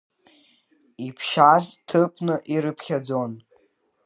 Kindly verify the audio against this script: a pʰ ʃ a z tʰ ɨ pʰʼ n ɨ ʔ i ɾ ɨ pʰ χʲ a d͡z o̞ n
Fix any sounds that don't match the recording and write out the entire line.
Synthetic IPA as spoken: i pʰ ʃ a z tʰ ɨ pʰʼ n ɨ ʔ i ɾ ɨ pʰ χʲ a d͡z o̞ n